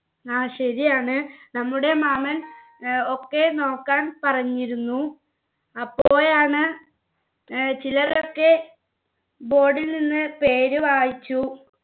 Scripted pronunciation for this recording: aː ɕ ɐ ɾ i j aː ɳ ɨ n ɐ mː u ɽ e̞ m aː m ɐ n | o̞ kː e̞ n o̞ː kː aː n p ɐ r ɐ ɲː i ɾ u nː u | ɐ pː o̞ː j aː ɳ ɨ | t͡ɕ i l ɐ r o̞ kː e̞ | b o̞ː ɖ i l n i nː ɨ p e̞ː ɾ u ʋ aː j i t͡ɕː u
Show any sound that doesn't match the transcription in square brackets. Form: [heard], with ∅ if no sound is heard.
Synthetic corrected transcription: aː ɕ ɐ ɾ i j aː ɳ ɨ n ɐ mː u ɽ e̞ m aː m ɐ n | o̞ kː e̞ n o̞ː kː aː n p ɐ r ɐ ɲː i ɾ u nː u | ɐ pː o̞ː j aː ɳ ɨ | t͡ɕ i l ɐ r o̞ kː e̞ | b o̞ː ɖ i l n i nː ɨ p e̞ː ɾ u ʋ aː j i t͡ɕː u